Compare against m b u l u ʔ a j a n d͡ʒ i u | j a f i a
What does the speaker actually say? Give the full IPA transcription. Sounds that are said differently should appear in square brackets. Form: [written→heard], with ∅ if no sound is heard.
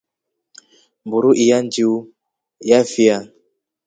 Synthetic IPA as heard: m b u [l→ɾ] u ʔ [a→i] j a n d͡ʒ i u | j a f i a